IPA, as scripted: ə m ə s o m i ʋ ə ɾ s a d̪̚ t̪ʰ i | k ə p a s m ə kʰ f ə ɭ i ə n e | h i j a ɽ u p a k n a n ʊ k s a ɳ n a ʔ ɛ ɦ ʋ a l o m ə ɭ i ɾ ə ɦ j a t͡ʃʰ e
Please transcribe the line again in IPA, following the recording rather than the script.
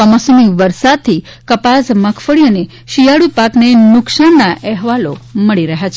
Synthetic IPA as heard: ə m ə s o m i ʋ ə ɾ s a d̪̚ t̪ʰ i | k ə p a s m ə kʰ f ə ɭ i ə n e | ʃ i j a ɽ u p a k n e n ʊ k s a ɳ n a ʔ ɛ ɦ ʋ a l o m ə ɭ i ɾ ə ɦ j a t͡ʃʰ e

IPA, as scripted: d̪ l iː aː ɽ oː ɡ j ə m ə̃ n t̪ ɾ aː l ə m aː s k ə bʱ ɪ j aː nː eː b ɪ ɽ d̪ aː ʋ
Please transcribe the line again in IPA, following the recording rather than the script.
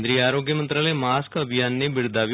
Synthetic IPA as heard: d̪ ɾ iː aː ɾ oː ɡ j ə m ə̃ n t̪ ɾ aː l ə m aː s k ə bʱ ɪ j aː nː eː b ɪ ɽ d̪ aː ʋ

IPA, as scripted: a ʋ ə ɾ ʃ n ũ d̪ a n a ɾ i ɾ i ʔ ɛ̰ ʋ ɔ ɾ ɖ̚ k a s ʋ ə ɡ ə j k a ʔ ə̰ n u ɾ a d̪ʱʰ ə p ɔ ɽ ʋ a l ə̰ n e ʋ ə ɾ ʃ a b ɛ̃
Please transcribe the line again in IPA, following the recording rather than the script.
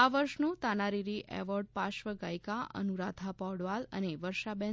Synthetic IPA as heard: a ʋ ə ɾ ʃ n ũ t̪ a n a ɾ i ɾ i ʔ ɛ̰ ʋ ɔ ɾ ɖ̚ p a ʃ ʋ ə ɡ a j k a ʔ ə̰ n u ɾ a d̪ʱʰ a p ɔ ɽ ʋ a l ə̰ n e ʋ ə ɾ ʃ a b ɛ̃

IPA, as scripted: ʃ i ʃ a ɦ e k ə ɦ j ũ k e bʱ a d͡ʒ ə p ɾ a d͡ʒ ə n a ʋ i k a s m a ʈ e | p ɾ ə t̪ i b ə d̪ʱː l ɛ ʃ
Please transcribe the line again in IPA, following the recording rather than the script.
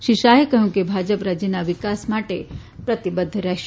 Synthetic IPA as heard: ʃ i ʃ a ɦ e k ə ɦ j ũ k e bʱ a d͡ʒ ə p ɾ a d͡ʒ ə n a ʋ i k a s m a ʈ e | p ɾ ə t̪ i b ə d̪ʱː ɾ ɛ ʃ

